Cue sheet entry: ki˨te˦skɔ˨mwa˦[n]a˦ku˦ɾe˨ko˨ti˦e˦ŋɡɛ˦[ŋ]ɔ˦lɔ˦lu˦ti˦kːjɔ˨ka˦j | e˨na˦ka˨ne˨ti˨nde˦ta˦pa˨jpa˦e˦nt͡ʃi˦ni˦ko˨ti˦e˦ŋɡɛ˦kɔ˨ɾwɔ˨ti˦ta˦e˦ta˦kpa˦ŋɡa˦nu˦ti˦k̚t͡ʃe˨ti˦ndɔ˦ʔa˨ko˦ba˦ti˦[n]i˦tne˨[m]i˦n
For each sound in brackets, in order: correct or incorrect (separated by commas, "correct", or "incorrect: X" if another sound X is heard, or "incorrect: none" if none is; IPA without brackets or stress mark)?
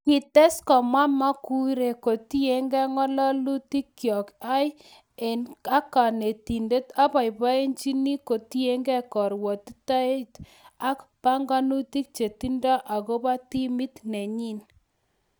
incorrect: m, correct, incorrect: m, incorrect: ɲ